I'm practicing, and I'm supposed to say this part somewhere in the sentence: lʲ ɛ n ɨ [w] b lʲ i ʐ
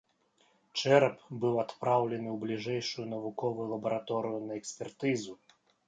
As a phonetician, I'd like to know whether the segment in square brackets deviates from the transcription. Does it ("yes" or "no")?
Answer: no